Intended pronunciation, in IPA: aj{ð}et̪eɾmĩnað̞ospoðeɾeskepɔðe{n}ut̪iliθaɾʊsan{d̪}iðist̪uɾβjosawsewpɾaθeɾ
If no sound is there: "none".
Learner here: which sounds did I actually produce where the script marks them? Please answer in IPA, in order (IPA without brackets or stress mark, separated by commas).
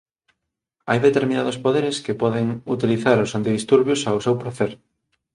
ð, ŋ, t̪